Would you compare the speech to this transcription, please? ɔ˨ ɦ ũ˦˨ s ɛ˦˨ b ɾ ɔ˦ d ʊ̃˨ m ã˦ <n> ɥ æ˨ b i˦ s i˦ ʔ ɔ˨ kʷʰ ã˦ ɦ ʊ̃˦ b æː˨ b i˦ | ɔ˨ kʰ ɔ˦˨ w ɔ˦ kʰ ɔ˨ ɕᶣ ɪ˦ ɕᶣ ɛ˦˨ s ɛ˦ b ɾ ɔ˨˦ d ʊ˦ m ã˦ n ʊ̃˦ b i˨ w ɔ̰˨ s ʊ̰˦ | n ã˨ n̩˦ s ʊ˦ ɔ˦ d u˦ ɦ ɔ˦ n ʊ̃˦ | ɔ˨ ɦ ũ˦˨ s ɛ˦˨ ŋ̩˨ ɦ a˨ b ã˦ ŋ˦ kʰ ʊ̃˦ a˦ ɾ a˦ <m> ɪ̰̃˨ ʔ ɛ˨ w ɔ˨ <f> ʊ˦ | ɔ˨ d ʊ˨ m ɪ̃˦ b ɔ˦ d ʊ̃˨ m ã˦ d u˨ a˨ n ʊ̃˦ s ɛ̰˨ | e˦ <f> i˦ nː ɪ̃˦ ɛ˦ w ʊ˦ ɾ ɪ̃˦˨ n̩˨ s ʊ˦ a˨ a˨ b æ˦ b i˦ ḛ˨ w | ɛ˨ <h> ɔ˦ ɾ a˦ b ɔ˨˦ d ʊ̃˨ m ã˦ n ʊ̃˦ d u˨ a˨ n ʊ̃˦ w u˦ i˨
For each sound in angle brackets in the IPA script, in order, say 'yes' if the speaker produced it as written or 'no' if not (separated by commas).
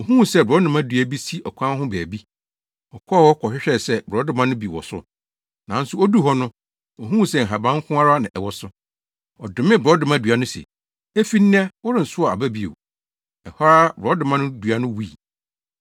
no, no, no, yes, yes